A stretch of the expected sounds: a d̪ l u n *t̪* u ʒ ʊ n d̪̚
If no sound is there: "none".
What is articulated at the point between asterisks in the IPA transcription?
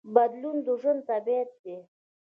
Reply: d̪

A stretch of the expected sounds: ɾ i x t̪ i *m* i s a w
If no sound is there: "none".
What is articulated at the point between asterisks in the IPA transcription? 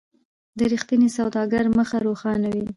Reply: n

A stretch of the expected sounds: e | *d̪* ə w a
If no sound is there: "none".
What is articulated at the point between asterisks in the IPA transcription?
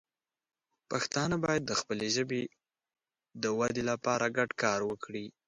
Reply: d̪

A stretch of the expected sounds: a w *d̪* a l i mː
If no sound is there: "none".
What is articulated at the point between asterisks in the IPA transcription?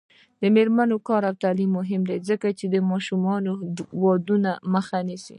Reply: t̪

